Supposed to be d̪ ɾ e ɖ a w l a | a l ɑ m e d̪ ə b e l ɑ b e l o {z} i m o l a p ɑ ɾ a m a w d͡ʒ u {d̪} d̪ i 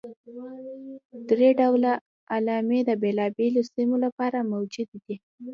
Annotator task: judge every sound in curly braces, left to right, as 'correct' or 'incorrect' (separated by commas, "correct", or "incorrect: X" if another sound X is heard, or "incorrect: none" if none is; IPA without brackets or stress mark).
incorrect: s, correct